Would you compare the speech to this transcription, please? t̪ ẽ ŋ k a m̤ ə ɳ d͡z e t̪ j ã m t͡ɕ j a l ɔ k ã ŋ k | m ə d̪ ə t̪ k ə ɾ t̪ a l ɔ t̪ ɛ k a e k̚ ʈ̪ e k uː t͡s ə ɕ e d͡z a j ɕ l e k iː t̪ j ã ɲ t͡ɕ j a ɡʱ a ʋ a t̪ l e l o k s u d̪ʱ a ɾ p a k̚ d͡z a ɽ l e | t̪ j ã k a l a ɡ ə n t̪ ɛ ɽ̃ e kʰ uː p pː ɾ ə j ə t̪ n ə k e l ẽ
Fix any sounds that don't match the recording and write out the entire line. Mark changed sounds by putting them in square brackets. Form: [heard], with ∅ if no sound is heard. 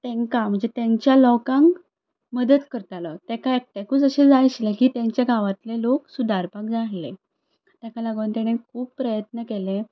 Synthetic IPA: t̪ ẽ ŋ k a m̤ ə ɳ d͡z e t̪ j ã [ɲ] t͡ɕ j a l ɔ k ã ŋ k | m ə d̪ ə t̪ k ə ɾ t̪ a l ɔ t̪ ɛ k a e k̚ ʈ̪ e k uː t͡s ə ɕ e d͡z a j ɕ l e k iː t̪ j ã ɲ t͡ɕ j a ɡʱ a ʋ a t̪ l e l o k s u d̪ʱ a ɾ p a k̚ d͡z a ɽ l e | t̪ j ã k a l a ɡ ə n t̪ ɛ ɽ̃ e kʰ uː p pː ɾ ə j ə t̪ n ə k e l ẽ